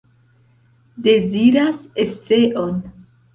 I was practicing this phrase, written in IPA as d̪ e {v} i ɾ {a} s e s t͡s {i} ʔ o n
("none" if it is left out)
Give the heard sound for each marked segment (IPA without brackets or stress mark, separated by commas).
z, a, e